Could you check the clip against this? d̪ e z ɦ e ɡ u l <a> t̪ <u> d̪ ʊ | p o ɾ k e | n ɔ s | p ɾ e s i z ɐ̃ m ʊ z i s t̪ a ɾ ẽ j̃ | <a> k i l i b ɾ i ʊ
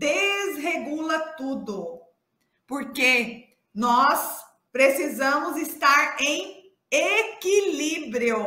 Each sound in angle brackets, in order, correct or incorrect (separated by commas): incorrect, correct, incorrect